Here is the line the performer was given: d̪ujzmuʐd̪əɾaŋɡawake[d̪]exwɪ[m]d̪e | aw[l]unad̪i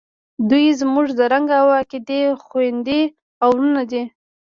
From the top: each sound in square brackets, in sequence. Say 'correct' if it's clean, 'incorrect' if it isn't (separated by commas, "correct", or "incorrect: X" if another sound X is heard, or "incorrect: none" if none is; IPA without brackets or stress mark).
correct, incorrect: n, incorrect: ɾ